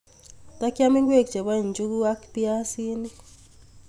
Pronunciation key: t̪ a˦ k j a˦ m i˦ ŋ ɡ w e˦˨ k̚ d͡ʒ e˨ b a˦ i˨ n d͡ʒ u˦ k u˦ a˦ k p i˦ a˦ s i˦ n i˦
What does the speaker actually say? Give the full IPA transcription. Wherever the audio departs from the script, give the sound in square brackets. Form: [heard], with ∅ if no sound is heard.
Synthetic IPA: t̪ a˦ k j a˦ m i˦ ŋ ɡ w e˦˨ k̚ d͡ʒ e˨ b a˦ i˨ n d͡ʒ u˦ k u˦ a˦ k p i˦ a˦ s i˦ n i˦